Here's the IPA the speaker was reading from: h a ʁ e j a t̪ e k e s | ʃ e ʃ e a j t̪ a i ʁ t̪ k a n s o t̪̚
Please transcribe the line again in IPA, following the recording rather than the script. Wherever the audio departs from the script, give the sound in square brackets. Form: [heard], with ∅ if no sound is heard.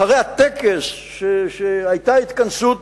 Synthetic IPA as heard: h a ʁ e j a t̪ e k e s | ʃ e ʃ e a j t̪ a i [∅] t̪ k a n s [u] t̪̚